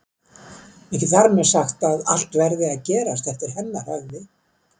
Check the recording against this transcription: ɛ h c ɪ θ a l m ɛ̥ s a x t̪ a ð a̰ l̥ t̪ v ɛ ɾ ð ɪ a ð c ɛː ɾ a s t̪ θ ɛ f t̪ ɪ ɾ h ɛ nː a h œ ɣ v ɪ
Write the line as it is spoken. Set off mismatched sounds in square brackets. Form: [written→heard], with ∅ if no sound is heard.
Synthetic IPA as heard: ɛ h c ɪ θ a [l→ɾ] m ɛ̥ s a x t̪ a ð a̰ l̥ t̪ v ɛ ɾ ð ɪ a ð c ɛː ɾ a s t̪ θ ɛ [f→h] t̪ ɪ ɾ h ɛ nː a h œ ɣ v ɪ